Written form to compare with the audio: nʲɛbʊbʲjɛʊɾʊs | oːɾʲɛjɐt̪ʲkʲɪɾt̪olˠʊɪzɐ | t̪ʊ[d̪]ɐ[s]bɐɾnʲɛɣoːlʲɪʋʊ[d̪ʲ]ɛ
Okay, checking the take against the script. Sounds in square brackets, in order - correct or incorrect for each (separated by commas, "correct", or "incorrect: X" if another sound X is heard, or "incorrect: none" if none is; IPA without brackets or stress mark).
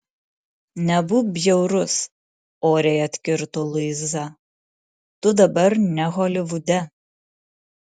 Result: correct, incorrect: none, correct